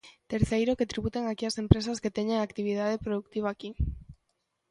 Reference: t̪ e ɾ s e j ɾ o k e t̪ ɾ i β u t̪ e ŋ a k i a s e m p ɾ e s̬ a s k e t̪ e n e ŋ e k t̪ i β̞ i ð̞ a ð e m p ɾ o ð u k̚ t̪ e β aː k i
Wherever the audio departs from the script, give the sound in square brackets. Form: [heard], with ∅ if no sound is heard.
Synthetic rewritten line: t̪ e ɾ [θ] e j ɾ o k e t̪ ɾ i β u t̪ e ŋ a k i a s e m p ɾ e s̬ a s k e t̪ e [ɲ] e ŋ [a] k t̪ i β̞ i ð̞ a ð e [∅] p ɾ o ð u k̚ t̪ [i] β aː k i